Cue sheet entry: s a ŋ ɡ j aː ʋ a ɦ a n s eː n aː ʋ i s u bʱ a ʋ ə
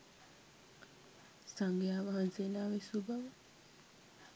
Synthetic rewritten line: s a ŋ ɡ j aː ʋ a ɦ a n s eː n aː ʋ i s u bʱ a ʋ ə

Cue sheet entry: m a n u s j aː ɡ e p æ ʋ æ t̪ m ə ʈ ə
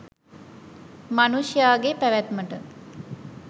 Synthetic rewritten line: m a n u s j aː ɡ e p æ ʋ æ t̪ m ə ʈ ə

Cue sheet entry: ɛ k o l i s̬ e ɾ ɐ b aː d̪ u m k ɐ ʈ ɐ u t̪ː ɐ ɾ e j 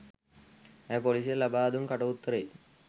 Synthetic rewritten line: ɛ p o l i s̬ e l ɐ b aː d̪ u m k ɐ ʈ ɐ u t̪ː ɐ ɾ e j

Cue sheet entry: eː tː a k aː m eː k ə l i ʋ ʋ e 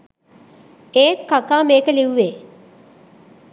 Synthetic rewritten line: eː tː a k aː m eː k ə l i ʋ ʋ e

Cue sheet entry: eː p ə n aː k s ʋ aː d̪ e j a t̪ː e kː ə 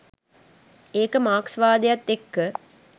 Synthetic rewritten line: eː k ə m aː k s ʋ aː d̪ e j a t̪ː e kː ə

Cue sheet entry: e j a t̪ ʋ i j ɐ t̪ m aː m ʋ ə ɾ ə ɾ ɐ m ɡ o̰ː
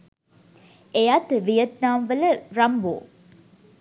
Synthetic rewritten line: e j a t̪ ʋ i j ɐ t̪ n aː m ʋ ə l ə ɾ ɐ m b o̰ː

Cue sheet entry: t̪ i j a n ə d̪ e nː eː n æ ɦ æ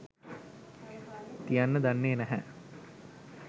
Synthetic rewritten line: t̪ i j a nː ə d̪ a nː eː n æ ɦ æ

